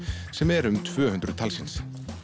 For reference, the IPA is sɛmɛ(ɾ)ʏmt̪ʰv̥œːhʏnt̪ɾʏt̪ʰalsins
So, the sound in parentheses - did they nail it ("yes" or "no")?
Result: yes